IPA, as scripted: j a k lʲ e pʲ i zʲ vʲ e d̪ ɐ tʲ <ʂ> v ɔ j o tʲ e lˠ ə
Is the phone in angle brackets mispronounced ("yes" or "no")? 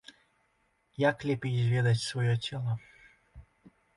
yes